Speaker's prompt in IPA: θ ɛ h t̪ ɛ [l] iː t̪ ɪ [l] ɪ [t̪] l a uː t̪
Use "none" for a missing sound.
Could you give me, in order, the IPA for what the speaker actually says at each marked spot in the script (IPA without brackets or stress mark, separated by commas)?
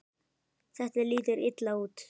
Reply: l, ɾ, t̪